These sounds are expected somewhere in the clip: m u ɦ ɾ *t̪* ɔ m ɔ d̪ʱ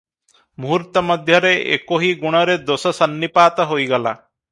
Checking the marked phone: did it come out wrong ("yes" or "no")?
no